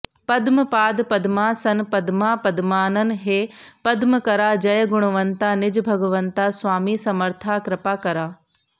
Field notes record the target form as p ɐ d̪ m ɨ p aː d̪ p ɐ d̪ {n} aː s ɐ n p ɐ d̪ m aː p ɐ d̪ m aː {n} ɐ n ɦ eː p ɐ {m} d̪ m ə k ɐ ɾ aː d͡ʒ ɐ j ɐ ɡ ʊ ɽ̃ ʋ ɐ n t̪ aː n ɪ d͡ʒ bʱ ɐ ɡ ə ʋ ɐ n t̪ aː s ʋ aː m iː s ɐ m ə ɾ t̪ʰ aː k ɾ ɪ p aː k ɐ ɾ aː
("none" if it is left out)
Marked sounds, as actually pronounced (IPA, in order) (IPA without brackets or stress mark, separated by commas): m, n, none